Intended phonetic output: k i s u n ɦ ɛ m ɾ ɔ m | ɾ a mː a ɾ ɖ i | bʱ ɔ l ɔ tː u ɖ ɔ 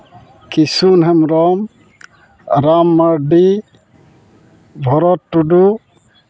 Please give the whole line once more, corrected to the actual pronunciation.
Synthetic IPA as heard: k i s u n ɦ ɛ m ɾ ɔ m | ɾ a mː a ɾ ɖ i | bʱ ɔ ɾ ɔ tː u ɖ u